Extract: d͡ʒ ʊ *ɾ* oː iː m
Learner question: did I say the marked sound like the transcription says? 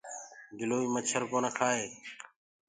no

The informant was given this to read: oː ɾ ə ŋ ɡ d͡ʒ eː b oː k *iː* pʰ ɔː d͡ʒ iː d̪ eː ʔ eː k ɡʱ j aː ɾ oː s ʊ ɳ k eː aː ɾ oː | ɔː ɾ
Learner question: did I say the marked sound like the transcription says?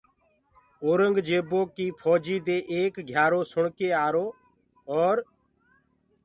yes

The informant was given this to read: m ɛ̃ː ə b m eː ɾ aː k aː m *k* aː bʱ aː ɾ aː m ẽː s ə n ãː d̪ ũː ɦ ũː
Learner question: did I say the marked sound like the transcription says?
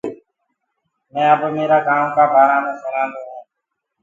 yes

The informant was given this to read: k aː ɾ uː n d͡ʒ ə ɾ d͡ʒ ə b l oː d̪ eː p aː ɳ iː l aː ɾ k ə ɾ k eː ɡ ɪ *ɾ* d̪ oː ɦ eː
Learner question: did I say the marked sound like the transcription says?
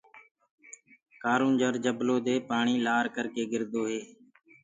yes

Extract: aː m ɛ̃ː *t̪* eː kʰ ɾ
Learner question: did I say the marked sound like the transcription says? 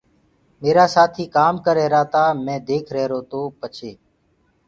no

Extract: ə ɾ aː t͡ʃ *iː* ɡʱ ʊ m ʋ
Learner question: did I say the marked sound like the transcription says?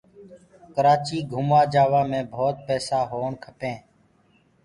yes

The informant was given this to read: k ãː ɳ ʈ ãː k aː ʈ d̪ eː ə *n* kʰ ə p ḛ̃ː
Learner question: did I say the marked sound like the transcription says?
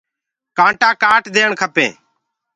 no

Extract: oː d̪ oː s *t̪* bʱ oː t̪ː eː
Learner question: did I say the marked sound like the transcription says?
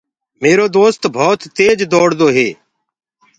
yes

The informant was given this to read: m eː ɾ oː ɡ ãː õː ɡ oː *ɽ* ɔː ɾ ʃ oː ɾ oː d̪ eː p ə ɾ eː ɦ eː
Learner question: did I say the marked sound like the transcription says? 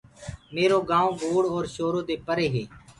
yes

